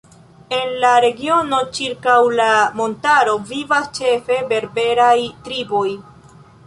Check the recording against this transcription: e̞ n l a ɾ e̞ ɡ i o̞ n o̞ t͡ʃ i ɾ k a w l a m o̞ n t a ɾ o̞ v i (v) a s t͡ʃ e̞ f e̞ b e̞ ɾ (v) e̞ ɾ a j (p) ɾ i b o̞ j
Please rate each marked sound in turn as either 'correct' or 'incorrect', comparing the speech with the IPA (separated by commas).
correct, incorrect, incorrect